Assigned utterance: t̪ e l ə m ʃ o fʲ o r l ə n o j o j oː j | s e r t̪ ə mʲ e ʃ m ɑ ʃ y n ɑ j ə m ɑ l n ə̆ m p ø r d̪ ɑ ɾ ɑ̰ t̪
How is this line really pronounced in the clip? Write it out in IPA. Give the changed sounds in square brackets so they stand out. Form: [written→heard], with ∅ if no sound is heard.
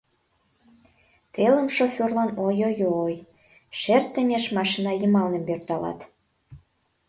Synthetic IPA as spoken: t̪ e l ə m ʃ o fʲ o r l [ə→ɑ] n o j o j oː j | [s→ʃ] e r t̪ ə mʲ e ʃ m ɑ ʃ [y→i] n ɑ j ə m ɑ l n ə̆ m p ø r [d̪→t̪] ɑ [ɾ→l] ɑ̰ t̪

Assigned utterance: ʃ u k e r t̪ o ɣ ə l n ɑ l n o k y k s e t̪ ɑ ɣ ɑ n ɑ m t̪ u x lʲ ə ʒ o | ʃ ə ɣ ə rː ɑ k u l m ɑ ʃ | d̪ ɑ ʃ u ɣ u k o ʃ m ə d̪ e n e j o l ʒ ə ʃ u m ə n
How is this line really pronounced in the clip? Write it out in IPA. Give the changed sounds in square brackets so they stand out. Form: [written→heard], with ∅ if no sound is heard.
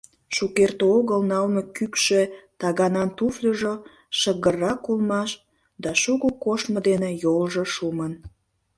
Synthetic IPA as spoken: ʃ u k e r t̪ o ɣ ə l n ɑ l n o k y k [s→ʃ] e t̪ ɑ ɣ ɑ n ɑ [m→n] t̪ u [x→f] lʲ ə ʒ o | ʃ ə ɣ ə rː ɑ k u l m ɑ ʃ | d̪ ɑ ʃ u ɣ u k o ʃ m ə d̪ e n e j o l ʒ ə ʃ u m ə n

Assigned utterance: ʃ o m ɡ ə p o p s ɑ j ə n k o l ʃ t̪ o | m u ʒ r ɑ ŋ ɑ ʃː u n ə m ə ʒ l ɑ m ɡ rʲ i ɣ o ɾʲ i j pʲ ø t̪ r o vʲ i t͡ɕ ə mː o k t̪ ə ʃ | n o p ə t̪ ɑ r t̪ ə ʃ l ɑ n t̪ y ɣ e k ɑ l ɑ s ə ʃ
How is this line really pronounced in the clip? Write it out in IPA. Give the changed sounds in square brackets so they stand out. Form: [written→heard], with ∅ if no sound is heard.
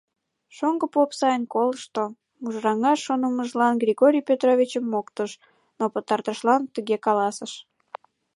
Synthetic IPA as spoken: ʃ o [m→ŋ] ɡ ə p o p s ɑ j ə n k o l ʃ t̪ o | m u ʒ r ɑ ŋ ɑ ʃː [u→o] n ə m ə ʒ l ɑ [m→n] ɡ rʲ i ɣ o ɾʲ i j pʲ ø t̪ r o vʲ i t͡ɕ ə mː o k t̪ ə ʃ | n o p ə t̪ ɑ r t̪ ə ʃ l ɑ n t̪ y ɣ e k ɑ l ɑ s ə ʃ

